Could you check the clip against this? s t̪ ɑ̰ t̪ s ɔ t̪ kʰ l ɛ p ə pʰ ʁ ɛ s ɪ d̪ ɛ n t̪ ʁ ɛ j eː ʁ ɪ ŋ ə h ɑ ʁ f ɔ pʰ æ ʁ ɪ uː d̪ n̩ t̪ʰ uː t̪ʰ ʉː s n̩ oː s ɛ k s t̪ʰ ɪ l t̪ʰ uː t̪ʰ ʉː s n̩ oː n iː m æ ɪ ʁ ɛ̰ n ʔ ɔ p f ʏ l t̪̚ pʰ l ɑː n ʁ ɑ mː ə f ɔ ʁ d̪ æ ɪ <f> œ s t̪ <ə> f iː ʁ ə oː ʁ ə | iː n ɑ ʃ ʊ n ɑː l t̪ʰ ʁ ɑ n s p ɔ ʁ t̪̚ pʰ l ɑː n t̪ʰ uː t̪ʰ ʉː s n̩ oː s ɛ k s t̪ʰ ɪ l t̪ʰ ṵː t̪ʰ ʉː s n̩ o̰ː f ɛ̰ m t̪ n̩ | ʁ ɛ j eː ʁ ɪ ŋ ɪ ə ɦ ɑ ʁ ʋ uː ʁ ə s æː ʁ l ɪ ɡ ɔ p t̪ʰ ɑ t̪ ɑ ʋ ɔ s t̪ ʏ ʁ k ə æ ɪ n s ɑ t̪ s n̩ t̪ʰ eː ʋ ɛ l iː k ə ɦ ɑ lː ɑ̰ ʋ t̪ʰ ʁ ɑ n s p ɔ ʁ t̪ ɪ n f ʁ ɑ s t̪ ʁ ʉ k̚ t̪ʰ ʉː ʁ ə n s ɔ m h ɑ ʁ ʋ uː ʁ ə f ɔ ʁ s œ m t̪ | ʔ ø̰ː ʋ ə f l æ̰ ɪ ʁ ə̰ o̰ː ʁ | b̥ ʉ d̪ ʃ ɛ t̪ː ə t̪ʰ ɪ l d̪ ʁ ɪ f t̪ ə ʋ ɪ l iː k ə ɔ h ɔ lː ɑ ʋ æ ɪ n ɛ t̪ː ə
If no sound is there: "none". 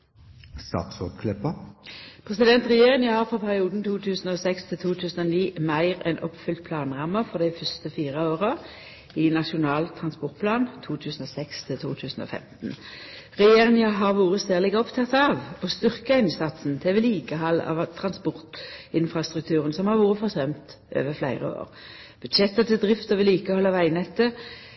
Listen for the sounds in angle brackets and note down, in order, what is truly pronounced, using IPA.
f, ə

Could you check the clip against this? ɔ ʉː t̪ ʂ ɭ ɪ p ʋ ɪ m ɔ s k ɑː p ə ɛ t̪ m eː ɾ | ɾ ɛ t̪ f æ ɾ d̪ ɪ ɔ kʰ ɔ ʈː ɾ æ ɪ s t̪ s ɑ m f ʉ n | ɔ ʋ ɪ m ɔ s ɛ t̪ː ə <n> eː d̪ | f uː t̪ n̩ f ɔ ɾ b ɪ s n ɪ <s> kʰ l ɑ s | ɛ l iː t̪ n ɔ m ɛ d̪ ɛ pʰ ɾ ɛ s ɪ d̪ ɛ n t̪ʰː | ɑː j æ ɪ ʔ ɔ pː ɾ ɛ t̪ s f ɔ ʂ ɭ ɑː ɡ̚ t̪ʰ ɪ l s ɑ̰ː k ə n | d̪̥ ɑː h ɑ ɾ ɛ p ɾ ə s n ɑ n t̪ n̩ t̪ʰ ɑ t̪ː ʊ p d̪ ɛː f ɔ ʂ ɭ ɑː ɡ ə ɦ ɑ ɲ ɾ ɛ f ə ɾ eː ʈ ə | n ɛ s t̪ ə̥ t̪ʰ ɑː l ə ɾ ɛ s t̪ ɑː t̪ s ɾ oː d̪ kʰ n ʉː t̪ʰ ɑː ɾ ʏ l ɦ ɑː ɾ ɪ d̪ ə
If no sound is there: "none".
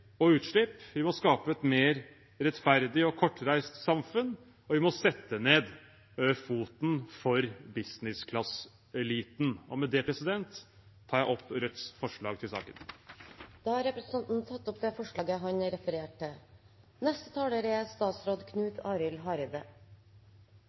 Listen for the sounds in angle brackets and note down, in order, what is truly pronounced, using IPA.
n, s

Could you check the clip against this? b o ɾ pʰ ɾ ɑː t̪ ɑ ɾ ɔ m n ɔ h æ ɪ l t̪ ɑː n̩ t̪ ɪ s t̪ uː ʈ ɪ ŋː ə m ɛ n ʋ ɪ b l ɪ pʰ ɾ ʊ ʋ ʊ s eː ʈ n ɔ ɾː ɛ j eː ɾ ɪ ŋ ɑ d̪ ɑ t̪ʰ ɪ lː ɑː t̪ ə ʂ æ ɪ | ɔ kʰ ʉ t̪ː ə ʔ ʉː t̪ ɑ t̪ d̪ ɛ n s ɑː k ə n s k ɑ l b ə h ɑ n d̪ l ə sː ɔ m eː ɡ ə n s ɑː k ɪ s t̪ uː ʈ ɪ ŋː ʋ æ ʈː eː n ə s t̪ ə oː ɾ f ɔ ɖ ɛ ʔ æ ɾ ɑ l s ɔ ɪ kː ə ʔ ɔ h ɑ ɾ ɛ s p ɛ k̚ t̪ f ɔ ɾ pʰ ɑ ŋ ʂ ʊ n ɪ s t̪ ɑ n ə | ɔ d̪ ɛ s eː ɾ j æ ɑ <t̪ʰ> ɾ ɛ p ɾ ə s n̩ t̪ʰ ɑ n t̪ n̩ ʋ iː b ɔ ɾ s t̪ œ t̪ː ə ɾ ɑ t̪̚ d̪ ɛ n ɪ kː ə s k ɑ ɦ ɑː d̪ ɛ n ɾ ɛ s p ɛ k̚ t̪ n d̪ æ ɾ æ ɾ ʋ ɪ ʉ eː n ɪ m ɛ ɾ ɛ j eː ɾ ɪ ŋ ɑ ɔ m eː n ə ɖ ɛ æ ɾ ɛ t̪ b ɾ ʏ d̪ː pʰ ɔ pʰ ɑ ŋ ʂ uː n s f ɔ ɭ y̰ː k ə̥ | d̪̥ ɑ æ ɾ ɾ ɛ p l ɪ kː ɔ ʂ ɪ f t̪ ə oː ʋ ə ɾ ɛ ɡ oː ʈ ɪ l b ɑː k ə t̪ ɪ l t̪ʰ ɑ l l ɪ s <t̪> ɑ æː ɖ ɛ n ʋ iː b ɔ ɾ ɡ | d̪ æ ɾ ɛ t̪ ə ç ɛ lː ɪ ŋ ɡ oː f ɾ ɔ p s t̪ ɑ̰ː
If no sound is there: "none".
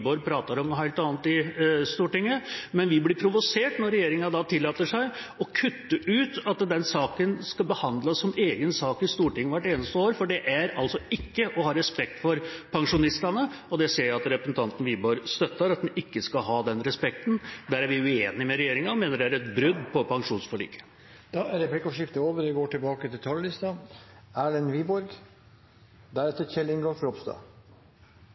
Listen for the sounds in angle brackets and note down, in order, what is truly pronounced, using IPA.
t̪, t̪

